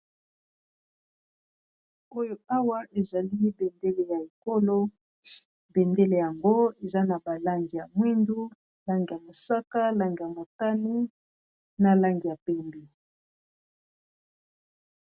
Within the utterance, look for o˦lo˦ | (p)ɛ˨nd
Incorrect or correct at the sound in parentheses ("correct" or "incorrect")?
incorrect